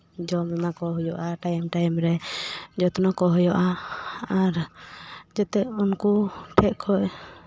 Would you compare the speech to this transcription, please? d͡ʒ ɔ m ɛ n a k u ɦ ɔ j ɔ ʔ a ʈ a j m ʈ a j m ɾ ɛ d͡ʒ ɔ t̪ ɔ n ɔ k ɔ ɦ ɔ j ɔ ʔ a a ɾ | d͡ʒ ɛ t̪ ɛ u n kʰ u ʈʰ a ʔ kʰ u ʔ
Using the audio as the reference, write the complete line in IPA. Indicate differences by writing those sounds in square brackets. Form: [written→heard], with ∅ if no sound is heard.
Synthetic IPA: d͡ʒ ɔ m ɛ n a k [u→ɔ] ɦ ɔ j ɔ ʔ a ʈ a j m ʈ a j m ɾ ɛ d͡ʒ ɔ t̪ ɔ n ɔ k ɔ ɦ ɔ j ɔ ʔ a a ɾ | d͡ʒ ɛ t̪ ɛ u n [kʰ→k] u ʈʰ [a→ɛ] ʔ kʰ [u→ɔ] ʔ